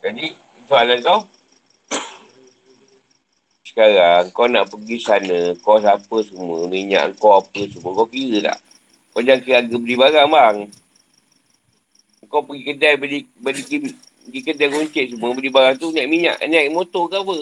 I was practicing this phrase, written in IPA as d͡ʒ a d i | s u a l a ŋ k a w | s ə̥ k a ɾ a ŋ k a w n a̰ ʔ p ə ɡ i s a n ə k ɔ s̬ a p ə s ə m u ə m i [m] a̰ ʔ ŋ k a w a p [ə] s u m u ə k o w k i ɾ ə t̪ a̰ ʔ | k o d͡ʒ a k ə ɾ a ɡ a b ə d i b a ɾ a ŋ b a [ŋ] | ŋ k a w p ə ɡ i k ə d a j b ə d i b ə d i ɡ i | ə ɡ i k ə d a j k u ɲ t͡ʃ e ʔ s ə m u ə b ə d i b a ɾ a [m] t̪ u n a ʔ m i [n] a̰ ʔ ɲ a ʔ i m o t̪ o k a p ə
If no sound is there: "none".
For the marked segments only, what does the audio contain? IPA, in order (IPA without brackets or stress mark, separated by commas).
ɲ, ə, ŋ, ŋ, ɲ